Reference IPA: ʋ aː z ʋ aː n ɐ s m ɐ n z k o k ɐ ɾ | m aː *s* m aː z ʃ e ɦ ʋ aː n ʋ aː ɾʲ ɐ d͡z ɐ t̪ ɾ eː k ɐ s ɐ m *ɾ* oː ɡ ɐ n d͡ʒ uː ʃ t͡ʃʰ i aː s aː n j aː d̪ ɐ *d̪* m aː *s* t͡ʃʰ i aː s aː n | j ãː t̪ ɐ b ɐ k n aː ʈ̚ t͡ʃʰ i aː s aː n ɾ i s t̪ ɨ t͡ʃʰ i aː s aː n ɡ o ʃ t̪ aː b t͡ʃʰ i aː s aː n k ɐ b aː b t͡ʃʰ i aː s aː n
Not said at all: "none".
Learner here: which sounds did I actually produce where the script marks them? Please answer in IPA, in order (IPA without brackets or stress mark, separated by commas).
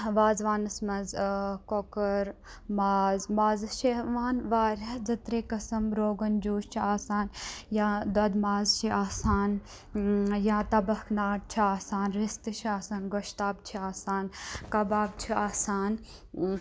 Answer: z, ɾ, d̪, z